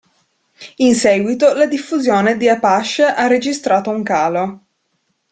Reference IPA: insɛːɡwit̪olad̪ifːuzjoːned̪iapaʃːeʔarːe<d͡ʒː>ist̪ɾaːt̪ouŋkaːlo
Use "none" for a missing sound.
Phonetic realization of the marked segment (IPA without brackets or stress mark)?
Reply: d͡ʒ